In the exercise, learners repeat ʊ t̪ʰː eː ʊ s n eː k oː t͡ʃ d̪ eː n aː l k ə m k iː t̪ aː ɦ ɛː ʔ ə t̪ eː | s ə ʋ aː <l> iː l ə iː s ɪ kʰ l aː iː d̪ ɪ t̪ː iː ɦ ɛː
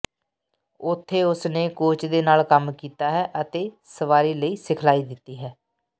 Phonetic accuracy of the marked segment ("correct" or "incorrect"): incorrect